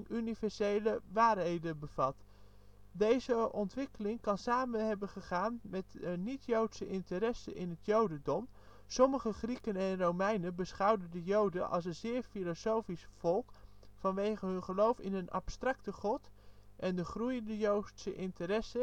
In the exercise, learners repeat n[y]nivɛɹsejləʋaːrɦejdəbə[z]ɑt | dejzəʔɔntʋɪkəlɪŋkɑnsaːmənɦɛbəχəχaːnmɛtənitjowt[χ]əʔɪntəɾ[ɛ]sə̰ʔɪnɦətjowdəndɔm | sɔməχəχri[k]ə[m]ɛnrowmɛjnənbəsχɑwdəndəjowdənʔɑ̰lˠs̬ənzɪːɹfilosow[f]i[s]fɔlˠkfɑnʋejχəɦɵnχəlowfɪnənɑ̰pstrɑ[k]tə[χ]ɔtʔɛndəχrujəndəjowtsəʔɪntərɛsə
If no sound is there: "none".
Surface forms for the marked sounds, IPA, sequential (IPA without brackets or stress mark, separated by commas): y, v, s, ɛ, k, n, f, s, k, χ